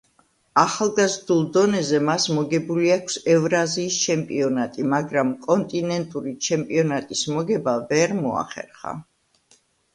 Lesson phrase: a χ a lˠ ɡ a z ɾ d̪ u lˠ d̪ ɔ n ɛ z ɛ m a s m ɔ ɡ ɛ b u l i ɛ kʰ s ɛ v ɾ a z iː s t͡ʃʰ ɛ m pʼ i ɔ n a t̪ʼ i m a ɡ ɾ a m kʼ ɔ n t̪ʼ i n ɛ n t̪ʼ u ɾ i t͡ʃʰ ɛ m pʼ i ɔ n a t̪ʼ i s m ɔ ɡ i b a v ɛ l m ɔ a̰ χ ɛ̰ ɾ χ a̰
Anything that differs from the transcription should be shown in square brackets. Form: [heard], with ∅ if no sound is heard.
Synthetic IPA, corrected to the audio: a χ a lˠ ɡ a z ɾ d̪ u lˠ d̪ ɔ n ɛ z ɛ m a s m ɔ ɡ ɛ b u l i [a] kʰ s ɛ v ɾ a z iː s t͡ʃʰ ɛ m pʼ i ɔ n a t̪ʼ i m a ɡ ɾ a m kʼ ɔ n t̪ʼ i n ɛ n t̪ʼ u ɾ i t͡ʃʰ ɛ m pʼ i ɔ n a t̪ʼ i s m ɔ ɡ [ɛ] b a v ɛ [ɾ] m ɔ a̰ χ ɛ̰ ɾ χ a̰